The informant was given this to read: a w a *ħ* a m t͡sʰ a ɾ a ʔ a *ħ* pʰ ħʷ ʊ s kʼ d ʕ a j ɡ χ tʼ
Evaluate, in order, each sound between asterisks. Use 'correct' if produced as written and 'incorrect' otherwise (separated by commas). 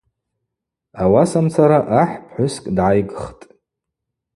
incorrect, correct